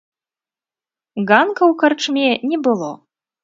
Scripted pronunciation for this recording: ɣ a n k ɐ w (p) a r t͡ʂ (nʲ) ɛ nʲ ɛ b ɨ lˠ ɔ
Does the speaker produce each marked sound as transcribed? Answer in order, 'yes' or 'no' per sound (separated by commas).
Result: no, no